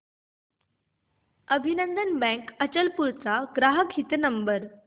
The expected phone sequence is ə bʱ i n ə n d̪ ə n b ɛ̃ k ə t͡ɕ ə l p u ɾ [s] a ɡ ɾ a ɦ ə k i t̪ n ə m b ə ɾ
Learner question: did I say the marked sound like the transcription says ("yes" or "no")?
no